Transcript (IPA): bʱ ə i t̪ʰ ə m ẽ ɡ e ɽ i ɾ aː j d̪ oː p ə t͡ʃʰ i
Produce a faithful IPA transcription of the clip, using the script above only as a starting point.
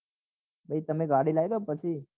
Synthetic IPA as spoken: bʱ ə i t̪ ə m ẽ ɡ a ɽ i l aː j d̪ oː p ə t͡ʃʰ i

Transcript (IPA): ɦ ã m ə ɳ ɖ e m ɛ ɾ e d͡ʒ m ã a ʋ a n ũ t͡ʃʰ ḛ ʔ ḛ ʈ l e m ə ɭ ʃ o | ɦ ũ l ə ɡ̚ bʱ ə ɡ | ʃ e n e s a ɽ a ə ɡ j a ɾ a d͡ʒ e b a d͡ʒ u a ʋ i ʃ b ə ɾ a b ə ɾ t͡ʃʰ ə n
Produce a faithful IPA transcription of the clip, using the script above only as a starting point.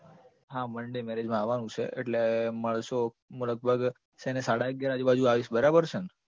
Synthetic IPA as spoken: ɦ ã m ə ɳ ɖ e m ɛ ɾ e d͡ʒ m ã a ʋ a n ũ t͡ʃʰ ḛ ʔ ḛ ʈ l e m ə ɭ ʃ o | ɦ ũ l ə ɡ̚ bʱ ə ɡ | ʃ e n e s a ɽ a ə ɡ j a ɾ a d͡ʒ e b a d͡ʒ u a ʋ i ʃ b ə ɾ a b ə ɾ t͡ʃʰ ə n

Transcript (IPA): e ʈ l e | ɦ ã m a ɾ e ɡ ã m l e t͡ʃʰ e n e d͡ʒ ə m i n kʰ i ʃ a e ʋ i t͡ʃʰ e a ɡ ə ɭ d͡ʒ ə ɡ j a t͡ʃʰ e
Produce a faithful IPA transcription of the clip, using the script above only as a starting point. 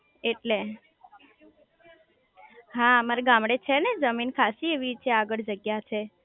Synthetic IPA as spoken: e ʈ l e | ɦ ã m a ɾ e ɡ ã m ɽ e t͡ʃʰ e n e d͡ʒ ə m i n kʰ a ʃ i e ʋ i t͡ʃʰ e a ɡ ə ɭ d͡ʒ ə ɡ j a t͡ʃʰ e

